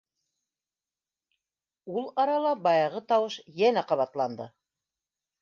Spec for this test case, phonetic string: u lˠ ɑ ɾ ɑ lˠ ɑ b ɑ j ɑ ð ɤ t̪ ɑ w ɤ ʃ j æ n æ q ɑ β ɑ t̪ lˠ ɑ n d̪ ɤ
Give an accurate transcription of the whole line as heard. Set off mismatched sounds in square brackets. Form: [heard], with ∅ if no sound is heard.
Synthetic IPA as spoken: u lˠ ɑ ɾ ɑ lˠ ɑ b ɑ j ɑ [ʁ] ɤ t̪ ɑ w ɤ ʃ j æ n æ q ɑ β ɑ t̪ lˠ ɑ n d̪ ɤ